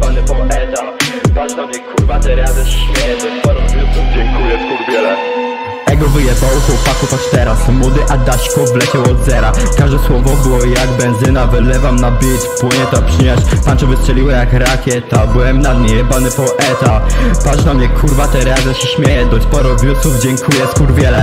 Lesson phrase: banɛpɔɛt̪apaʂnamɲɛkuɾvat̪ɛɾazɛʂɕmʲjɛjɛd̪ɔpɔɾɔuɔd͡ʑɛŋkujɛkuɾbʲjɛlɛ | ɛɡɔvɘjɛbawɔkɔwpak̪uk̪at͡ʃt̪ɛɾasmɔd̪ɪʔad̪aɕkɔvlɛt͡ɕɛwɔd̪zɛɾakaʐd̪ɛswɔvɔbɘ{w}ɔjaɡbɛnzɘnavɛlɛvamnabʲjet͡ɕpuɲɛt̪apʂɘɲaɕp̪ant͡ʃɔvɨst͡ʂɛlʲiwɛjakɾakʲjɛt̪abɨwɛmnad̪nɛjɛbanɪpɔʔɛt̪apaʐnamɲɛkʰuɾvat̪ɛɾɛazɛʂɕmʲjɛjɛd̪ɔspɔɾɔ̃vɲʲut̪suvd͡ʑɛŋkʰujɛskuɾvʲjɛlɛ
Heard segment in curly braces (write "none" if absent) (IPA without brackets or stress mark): w